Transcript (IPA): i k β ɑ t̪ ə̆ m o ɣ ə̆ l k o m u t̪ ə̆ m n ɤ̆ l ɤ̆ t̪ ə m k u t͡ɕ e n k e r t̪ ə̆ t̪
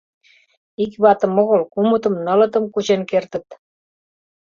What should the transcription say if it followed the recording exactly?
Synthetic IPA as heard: i k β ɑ t̪ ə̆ m o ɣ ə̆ l k u m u t̪ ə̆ m n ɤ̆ l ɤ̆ t̪ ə m k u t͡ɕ e n k e r t̪ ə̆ t̪

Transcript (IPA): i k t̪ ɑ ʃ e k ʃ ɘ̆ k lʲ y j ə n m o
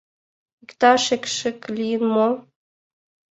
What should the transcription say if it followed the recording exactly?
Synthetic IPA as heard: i k t̪ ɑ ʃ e k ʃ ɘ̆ k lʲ i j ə n m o

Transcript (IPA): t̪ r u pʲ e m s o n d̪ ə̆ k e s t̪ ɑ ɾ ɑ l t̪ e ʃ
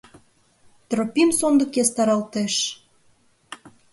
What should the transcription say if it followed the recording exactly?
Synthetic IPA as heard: t̪ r o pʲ i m s o n d̪ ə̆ k e s t̪ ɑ ɾ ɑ l t̪ e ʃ

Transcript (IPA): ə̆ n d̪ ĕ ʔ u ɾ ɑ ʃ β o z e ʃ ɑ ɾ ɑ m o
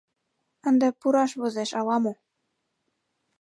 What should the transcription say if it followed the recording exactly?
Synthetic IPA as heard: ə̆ n d̪ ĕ p u ɾ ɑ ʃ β o z e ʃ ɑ l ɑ m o

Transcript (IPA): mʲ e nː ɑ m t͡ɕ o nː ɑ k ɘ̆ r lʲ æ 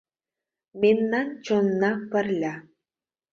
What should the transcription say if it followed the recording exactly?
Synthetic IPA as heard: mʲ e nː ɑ n t͡ɕ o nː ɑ p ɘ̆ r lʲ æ

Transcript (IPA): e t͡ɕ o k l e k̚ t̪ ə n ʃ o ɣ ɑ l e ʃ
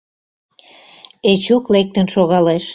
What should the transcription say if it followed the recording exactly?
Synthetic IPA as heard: e t͡ɕ u k l e k̚ t̪ ə n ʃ o ɣ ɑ l e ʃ

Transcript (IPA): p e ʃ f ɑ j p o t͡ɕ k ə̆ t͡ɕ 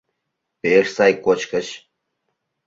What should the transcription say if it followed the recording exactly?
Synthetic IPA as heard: p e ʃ s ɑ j k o t͡ɕ k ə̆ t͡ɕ

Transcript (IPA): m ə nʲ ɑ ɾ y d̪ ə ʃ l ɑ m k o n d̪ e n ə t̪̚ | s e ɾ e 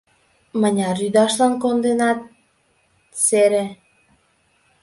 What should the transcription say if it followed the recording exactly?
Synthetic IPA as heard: m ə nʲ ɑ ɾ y d̪ ɑ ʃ l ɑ n k o n d̪ e n ɑ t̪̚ | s e ɾ e

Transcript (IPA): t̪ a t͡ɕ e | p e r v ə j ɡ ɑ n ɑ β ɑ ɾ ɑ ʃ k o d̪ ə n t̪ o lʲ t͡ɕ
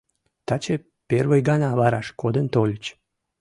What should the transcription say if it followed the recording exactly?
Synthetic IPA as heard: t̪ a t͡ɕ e | p e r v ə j ɡ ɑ n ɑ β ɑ ɾ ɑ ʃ k o d̪ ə n t̪ o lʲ t͡ɕ

